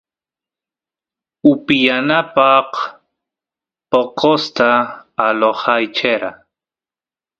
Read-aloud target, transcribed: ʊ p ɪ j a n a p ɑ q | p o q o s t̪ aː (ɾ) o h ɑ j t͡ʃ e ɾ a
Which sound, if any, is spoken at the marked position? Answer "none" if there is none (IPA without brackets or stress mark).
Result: l